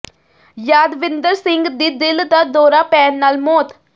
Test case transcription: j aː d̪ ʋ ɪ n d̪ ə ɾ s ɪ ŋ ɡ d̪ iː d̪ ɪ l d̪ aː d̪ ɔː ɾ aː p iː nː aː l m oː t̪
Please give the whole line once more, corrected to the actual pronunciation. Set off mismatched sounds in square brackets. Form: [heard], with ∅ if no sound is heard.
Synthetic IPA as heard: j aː d̪ ʋ ɪ n d̪ ə ɾ s ɪ ŋ ɡ d̪ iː d̪ ɪ l d̪ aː d̪ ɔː ɾ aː p [ɛː] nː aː l m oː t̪